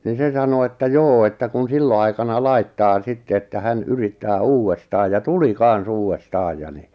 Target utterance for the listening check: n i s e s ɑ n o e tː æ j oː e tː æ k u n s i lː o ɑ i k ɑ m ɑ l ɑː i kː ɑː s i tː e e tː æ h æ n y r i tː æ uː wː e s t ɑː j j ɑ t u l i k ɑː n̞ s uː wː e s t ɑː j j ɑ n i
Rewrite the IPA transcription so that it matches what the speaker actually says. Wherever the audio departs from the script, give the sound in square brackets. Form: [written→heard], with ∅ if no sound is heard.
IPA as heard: n i s e s ɑ n o e tː æ j oː e tː æ k u n s i lː o ɑ i k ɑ [m→n] ɑ l [ɑː→ɑ] i [kː→tː] ɑː s i tː e e tː æ h æ n y r i tː [æ→æː] uː wː e s t ɑː j j ɑ t u l i k [ɑː→ɑ] n̞ s uː wː e s t ɑː j j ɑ n i